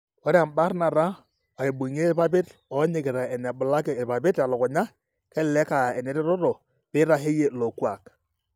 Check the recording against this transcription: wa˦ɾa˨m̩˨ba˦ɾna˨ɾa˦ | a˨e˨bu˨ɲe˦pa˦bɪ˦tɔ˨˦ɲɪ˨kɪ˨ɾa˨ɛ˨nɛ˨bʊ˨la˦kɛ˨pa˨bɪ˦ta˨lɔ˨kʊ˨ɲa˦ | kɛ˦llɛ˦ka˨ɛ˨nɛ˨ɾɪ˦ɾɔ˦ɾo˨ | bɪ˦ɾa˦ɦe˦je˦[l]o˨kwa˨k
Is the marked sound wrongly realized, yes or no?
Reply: no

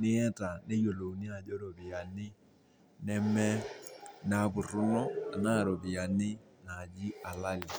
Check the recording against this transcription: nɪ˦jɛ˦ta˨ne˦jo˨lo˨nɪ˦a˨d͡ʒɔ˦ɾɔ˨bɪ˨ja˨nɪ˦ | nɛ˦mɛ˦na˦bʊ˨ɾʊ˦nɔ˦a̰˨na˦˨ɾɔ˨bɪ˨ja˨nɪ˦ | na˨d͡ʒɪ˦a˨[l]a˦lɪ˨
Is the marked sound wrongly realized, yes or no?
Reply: no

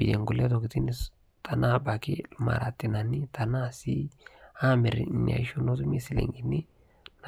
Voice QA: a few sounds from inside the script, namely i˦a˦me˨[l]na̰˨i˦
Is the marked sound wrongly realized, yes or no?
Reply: yes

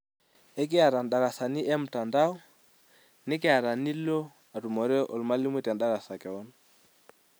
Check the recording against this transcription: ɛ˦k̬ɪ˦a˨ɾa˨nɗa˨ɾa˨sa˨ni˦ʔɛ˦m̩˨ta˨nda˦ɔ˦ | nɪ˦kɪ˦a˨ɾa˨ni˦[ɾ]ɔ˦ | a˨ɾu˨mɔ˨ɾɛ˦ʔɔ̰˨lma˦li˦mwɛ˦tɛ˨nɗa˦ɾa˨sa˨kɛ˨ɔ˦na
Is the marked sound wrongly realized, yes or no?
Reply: yes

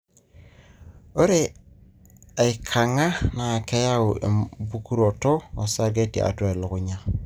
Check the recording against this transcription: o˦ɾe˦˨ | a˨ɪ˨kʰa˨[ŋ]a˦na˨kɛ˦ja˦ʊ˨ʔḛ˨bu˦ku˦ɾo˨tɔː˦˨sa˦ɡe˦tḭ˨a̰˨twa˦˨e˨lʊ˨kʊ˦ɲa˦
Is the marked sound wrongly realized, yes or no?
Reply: no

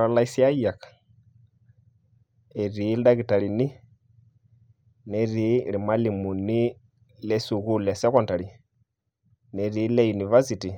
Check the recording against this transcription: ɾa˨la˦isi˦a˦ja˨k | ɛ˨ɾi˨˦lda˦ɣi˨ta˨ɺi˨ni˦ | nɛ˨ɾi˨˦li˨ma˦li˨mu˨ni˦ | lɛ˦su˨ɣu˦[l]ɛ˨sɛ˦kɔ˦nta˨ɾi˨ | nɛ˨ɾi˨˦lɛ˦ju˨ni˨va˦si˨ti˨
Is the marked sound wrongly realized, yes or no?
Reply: no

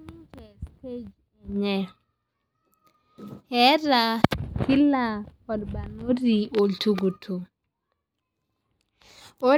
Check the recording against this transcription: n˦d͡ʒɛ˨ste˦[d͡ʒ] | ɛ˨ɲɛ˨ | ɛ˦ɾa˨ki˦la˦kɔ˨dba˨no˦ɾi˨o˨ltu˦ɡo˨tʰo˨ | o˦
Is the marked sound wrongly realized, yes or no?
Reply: no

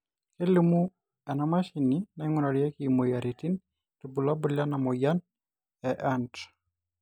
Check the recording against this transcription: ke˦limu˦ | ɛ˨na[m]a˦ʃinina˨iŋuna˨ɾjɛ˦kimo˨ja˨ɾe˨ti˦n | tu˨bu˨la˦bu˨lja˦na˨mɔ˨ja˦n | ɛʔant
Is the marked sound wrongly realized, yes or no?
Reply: no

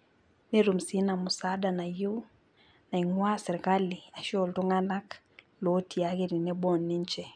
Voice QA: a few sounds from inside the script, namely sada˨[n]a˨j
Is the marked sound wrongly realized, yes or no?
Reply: no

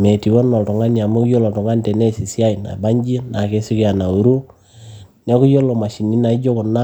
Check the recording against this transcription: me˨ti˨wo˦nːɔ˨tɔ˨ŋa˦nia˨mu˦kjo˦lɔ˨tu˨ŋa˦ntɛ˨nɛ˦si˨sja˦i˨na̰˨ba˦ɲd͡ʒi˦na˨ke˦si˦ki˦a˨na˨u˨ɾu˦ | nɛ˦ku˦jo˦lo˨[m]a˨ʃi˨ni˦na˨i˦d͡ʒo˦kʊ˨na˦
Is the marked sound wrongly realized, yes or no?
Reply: no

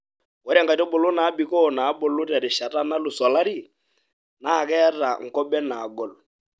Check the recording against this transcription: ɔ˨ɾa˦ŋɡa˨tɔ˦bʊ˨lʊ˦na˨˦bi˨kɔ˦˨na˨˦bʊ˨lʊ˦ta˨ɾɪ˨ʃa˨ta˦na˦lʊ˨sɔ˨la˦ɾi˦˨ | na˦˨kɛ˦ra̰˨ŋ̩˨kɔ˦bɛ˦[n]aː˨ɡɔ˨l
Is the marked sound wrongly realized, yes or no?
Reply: no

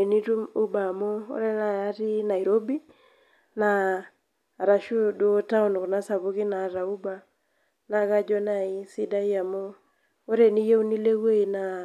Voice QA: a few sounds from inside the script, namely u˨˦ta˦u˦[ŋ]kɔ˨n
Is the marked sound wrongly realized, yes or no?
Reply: yes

